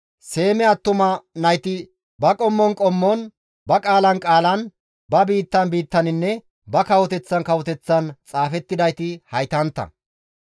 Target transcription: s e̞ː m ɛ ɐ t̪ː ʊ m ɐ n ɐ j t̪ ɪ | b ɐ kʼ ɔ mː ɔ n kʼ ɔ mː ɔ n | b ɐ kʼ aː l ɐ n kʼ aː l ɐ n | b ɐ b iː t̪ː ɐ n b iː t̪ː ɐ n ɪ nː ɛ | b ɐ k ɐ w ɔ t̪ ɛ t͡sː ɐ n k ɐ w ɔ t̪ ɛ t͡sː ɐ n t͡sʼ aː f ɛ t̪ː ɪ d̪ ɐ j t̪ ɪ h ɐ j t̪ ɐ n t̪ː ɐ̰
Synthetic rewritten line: s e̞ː m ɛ ɐ t̪ː ʊ m ɐ n ɐ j t̪ ɪ | b ɐ kʼ ɔ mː ɔ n kʼ ɔ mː ɔ n | b ɐ kʼ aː l ɐ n kʼ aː l ɐ n | b ɐ b iː t̪ː ɐ n b iː t̪ː ɐ n ɪ nː ɛ | b ɐ k ɐ w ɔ t̪ ɛ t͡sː ɐ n k ɐ w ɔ t̪ ɛ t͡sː ɐ n t͡sʼ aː f ɛ t̪ː ɪ d̪ ɐ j t̪ ɪ h ɐ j t̪ ɐ n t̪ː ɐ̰